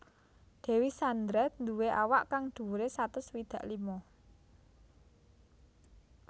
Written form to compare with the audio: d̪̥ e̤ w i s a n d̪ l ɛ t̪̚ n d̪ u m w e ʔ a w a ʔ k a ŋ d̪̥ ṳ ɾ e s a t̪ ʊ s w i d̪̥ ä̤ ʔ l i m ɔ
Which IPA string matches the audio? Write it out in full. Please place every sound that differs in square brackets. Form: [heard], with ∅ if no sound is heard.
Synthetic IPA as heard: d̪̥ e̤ w i s a n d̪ [ɾ] ɛ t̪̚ n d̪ u [∅] w e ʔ a w a ʔ k a ŋ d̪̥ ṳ ɾ e s a t̪ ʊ s w i d̪̥ ä̤ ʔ l i m ɔ